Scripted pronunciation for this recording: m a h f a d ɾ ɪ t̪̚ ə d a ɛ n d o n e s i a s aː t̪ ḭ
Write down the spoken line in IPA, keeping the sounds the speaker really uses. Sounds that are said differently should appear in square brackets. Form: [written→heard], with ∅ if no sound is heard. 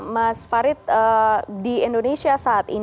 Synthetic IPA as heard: m a [h→s] f a [d→∅] ɾ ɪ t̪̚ ə d [a→i] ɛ n d o n e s i a s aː t̪ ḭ